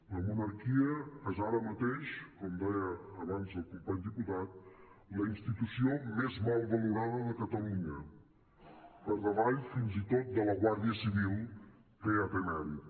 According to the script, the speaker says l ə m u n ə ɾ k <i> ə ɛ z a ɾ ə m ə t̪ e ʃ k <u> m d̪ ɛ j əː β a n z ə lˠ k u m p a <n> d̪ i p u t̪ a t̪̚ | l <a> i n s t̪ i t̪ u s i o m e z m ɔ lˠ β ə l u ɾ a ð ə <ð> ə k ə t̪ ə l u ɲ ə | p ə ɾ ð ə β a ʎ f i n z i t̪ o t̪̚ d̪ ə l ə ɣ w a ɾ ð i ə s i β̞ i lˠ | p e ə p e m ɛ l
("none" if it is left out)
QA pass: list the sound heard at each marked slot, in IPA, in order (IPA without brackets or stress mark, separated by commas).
i, ɔ, ɲ, ə, ð